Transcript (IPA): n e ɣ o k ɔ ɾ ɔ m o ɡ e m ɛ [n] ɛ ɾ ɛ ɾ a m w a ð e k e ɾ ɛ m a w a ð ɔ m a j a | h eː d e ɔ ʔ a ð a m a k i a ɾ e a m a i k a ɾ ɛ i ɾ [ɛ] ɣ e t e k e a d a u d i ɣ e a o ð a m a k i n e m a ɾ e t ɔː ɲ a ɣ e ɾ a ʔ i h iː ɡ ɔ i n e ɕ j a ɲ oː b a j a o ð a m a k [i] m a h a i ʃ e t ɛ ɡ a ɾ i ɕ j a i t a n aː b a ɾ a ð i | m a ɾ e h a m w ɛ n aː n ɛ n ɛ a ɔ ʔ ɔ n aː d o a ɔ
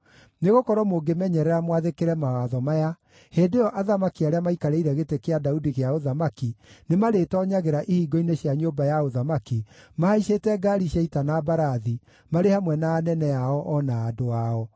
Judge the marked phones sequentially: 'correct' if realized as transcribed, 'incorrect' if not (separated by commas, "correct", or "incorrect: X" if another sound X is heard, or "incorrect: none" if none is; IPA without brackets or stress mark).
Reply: incorrect: ɲ, correct, correct